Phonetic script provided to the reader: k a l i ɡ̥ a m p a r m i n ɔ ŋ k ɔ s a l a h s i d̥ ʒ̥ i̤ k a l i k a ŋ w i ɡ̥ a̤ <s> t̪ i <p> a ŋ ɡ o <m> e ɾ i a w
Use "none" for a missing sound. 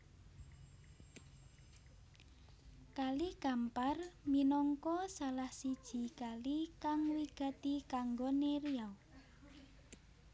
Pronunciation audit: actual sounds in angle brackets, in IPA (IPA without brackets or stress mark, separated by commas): none, k, n